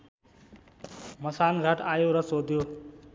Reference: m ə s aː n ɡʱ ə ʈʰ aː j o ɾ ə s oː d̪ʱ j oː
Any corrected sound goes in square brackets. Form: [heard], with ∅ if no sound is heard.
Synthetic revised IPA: m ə s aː n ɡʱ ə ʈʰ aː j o ɾ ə s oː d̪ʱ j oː